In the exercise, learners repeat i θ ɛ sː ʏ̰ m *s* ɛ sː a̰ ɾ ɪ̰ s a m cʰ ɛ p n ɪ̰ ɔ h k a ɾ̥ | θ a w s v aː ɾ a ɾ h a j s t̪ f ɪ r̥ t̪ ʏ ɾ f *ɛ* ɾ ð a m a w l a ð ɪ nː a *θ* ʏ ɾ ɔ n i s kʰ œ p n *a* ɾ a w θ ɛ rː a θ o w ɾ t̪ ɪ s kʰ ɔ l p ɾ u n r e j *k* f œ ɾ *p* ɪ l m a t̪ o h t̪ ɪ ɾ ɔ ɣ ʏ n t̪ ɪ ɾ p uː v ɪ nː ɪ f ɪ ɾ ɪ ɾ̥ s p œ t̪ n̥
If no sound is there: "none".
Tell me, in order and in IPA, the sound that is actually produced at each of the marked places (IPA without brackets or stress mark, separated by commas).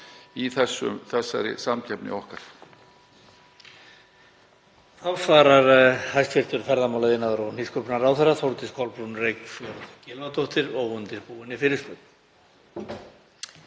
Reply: θ, ɛ, ð, a, k, c